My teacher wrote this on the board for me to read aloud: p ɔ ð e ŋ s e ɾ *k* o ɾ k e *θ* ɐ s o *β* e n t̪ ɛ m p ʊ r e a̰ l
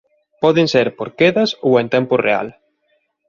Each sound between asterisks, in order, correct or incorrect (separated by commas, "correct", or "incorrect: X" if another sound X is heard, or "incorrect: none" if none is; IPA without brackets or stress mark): incorrect: p, incorrect: ð, incorrect: w